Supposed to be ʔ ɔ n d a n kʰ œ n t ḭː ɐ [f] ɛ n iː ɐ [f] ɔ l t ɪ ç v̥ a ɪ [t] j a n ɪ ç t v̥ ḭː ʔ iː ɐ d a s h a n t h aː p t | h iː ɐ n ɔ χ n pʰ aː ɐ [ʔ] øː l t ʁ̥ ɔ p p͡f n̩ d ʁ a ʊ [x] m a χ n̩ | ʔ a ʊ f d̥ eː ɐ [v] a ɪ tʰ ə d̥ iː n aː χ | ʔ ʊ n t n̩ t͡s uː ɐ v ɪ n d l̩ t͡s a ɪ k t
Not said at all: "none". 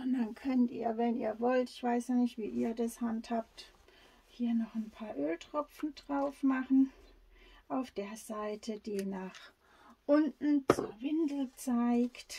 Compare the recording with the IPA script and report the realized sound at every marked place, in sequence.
v, v, s, ʔ, f, z

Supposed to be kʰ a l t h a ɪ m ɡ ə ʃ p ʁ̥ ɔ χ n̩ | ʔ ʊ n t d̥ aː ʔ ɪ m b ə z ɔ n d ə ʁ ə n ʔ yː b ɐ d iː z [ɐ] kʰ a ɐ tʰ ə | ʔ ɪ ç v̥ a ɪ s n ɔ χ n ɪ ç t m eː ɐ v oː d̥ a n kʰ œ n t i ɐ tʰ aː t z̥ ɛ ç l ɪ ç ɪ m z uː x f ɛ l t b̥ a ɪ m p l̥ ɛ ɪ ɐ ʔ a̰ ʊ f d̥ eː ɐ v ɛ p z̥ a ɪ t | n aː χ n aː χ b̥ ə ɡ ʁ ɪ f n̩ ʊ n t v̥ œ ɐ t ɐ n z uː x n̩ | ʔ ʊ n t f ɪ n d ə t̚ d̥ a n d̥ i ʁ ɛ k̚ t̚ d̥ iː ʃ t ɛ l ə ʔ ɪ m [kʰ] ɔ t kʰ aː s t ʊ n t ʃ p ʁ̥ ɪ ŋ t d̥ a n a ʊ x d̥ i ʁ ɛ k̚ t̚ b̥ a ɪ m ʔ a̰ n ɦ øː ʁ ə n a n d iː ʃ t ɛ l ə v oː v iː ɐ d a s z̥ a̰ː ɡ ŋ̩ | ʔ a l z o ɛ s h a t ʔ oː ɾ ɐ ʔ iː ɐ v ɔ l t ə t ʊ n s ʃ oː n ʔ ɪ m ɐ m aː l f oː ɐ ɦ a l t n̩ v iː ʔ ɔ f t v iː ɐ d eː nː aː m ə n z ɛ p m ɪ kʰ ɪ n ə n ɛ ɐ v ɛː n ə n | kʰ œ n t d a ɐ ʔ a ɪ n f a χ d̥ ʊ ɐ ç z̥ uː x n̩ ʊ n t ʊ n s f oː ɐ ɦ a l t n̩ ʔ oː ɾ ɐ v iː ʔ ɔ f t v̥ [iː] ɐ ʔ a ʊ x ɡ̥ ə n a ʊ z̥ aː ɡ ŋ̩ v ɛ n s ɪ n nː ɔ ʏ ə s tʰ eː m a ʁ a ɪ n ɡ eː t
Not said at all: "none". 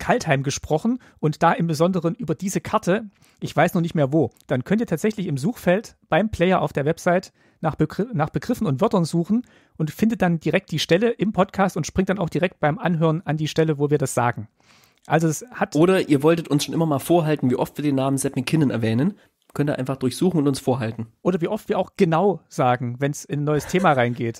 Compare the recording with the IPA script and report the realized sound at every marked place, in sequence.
ə, pʰ, iː

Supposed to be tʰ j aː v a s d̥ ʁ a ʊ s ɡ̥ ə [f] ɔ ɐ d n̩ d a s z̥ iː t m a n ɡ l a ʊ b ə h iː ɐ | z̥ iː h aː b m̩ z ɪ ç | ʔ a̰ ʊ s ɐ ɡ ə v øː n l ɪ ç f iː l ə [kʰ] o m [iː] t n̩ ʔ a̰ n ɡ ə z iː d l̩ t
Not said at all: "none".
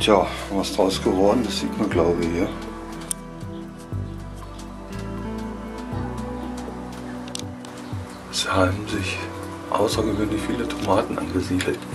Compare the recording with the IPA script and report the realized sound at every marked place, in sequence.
v, tʰ, aː

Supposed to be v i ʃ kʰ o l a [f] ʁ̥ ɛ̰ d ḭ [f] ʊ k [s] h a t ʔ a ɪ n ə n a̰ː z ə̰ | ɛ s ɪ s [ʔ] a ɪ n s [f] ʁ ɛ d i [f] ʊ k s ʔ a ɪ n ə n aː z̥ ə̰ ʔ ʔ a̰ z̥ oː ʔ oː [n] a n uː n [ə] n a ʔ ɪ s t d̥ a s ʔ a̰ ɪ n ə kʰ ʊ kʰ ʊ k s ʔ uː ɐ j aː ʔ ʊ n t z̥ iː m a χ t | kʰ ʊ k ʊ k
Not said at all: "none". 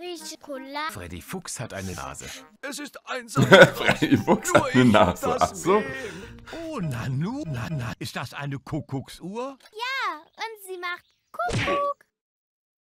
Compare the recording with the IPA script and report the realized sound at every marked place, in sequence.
f, f, s, t, f, f, n, a

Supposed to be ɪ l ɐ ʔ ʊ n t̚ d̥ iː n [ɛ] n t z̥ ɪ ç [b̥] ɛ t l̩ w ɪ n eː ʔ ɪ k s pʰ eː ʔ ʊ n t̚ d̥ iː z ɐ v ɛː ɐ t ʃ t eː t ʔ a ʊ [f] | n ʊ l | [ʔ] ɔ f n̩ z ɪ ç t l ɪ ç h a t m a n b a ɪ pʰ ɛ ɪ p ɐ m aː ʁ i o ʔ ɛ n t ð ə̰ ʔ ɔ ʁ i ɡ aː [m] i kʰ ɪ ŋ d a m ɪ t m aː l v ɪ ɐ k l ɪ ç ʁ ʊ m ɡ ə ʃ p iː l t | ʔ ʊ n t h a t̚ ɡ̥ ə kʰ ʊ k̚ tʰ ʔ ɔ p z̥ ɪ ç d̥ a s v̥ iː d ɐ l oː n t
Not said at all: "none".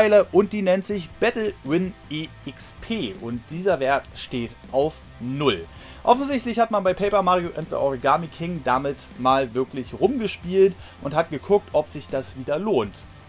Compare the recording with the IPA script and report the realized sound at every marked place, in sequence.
ɛ, b̥, f, ʔ, m

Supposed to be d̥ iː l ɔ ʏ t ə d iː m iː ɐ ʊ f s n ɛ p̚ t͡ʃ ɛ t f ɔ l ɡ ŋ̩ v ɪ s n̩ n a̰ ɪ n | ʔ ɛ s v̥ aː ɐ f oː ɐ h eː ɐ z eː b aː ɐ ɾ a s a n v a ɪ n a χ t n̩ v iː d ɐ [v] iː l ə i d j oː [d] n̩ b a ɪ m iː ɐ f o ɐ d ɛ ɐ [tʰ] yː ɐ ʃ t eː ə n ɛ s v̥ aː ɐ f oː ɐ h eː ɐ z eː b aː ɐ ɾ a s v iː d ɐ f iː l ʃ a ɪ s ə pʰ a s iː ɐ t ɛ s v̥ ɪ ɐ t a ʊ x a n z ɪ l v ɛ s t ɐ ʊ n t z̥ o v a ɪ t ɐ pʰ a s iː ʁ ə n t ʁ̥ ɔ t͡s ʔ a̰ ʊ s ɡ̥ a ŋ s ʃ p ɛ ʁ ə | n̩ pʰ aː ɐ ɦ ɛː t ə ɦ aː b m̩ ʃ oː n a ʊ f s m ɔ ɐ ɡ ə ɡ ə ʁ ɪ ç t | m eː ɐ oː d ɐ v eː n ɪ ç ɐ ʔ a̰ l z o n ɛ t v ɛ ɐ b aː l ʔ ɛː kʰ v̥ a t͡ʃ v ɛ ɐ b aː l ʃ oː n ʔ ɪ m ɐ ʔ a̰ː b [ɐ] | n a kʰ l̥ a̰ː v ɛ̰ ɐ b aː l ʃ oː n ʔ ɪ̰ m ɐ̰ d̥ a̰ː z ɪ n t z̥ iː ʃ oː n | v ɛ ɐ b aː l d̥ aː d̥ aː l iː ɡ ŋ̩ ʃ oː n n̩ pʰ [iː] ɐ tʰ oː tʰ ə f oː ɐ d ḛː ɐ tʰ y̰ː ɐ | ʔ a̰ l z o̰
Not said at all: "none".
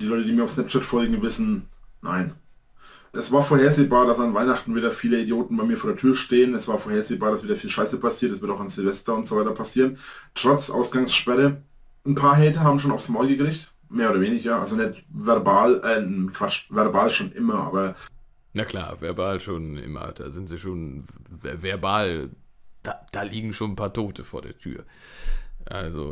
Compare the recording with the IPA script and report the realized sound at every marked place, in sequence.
f, t, tʰ, ɐ, aː

